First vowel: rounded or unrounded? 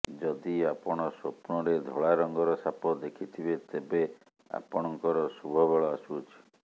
rounded